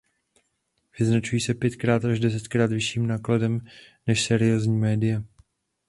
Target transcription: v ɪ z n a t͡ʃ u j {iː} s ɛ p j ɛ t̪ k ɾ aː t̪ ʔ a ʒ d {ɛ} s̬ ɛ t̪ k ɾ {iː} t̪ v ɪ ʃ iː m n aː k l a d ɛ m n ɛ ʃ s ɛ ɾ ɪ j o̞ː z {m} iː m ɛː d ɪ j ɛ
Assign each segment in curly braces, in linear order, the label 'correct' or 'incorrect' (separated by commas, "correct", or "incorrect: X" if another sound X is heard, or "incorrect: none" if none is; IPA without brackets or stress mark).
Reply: correct, correct, incorrect: aː, incorrect: ɲ